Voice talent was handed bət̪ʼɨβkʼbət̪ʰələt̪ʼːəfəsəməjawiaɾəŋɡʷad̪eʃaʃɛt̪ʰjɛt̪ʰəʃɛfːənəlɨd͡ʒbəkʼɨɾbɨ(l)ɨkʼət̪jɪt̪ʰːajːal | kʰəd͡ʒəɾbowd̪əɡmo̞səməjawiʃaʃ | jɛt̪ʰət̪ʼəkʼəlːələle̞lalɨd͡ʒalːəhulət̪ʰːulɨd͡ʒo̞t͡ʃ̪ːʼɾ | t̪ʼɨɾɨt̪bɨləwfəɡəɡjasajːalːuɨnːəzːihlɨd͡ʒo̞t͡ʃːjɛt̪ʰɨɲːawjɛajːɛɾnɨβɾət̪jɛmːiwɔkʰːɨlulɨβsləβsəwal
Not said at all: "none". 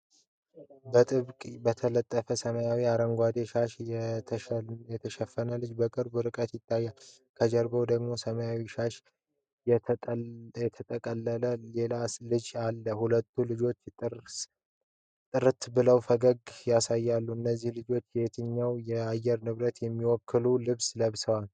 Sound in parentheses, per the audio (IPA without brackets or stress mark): ɾ